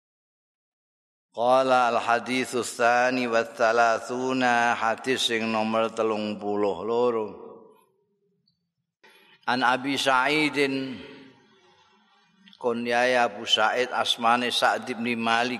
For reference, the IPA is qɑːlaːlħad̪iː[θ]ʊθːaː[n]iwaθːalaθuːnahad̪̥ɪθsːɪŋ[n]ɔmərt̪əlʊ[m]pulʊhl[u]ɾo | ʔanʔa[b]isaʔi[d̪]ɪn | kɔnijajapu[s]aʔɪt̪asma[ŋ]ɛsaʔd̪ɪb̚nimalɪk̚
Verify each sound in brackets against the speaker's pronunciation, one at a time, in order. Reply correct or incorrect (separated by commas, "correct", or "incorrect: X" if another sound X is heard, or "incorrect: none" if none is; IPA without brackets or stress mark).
correct, correct, correct, incorrect: ŋ, incorrect: o, correct, correct, correct, incorrect: n